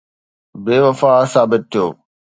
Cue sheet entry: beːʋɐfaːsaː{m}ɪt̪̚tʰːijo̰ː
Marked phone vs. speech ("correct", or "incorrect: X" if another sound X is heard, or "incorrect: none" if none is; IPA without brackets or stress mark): incorrect: b